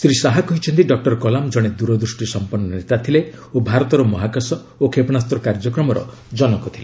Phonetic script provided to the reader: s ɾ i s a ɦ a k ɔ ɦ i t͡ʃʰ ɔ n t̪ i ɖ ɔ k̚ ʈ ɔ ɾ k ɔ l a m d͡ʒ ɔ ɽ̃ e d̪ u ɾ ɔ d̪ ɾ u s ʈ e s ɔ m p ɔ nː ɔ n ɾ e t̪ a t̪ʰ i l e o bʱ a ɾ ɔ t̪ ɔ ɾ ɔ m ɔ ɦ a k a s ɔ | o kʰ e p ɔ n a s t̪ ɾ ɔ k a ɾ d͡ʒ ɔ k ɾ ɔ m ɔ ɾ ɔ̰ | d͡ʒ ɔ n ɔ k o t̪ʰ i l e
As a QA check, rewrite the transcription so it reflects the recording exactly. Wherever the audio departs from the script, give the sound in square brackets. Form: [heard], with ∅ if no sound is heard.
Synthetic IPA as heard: s ɾ i s a ɦ a k ɔ ɦ i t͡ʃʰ ɔ n t̪ i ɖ ɔ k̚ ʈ ɔ ɾ k ɔ l a m d͡ʒ ɔ ɽ̃ e d̪ u ɾ ɔ d̪ ɾ u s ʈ [i] s ɔ m p ɔ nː ɔ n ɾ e t̪ a t̪ʰ i l e o bʱ a ɾ ɔ t̪ ɔ ɾ ɔ m ɔ ɦ a k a s ɔ | o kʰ e p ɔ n a s t̪ ɾ ɔ k a ɾ d͡ʒ ɔ k ɾ ɔ m ɔ ɾ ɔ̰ | d͡ʒ ɔ n ɔ k [ɔ] t̪ʰ i l e